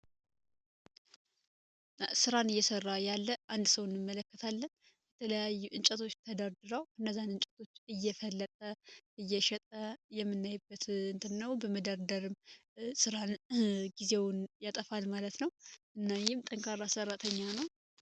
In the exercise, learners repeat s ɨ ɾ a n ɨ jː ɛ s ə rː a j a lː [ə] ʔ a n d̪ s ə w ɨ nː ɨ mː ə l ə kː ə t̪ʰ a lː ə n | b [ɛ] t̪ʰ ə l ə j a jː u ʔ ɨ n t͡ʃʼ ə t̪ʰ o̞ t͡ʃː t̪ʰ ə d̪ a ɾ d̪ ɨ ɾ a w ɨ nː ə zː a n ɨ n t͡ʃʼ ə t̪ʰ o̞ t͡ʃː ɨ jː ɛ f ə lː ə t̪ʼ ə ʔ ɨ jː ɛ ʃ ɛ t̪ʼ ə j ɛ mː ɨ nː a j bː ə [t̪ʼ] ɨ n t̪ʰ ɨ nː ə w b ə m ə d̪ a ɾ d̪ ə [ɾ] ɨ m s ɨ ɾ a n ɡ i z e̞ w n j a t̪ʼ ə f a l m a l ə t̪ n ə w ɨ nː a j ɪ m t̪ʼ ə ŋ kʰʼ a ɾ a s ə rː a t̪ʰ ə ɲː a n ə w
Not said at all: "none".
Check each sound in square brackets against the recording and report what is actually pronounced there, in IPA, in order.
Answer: ə, ɛ, t̪, ɾ

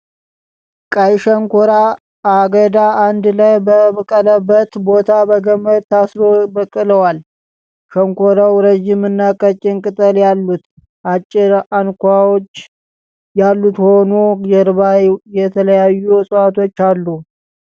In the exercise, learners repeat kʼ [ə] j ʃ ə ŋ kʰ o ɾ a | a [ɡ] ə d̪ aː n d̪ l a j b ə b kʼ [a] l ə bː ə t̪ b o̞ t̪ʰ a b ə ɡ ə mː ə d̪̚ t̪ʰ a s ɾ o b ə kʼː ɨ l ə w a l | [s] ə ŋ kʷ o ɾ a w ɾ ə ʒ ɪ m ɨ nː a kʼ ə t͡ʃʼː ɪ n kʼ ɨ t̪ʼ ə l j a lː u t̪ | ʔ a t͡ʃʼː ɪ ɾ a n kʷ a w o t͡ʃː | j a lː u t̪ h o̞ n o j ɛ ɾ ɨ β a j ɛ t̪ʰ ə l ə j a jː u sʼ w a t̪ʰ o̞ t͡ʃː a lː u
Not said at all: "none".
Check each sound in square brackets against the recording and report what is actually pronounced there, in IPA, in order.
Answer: a, ɡ, ə, ʃ

